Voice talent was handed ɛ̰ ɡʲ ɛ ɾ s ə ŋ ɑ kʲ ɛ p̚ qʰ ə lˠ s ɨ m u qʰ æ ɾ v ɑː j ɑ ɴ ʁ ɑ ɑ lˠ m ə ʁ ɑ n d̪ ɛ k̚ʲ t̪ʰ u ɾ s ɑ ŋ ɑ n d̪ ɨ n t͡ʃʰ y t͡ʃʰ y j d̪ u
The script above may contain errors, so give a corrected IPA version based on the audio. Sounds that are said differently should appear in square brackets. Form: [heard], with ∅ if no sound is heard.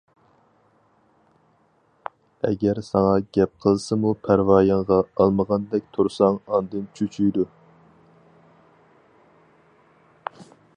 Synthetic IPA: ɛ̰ ɡʲ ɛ ɾ s [ɑ] ŋ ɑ [ɡʲ] ɛ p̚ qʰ ə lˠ s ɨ m u [pʰ] æ ɾ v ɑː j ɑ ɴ ʁ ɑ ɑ lˠ m ə ʁ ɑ n d̪ ɛ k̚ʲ t̪ʰ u ɾ s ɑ ŋ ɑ n d̪ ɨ n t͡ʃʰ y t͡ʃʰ y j d̪ u